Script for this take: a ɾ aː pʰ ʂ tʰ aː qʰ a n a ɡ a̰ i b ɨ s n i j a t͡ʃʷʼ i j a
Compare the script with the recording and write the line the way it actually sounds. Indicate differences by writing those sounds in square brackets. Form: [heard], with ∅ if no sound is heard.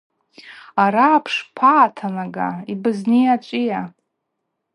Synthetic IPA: a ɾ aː pʰ ʂ [pʰ] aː [tʰ] a n a ɡ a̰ i b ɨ [z] n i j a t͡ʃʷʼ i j a